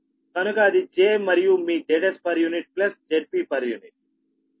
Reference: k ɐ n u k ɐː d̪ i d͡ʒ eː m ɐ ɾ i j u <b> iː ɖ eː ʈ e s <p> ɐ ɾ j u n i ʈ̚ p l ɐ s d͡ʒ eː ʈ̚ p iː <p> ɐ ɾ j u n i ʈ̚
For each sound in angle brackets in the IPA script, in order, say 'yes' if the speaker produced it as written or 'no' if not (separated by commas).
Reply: no, yes, yes